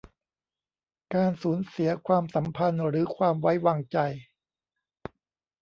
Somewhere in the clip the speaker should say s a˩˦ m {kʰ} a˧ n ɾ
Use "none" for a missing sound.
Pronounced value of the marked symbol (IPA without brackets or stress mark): pʰ